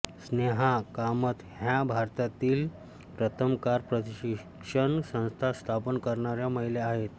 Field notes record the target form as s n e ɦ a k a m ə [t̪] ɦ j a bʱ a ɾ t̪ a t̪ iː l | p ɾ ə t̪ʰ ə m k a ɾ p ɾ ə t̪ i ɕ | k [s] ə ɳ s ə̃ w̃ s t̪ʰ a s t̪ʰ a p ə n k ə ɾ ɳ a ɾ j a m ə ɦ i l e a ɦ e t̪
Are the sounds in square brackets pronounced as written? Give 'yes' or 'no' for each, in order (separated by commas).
yes, no